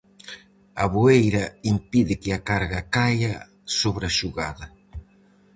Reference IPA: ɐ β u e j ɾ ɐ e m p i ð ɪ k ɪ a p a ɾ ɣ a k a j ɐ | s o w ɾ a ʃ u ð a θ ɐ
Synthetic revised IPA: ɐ β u e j ɾ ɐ i m p i ð ɪ k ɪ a k a ɾ ɣ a k a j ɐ | s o β ɾ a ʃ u ɣ a ð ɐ